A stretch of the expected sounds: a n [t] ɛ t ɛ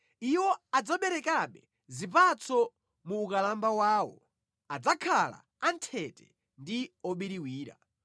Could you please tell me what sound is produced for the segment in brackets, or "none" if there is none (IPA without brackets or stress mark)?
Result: tʰ